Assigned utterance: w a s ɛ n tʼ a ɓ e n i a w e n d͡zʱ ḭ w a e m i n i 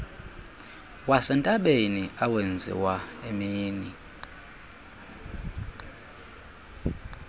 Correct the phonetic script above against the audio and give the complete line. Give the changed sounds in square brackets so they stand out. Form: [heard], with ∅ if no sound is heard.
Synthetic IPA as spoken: w a s ɛ n tʼ a ɓ e n i a w e n d͡zʱ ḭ w a e m [iː] n i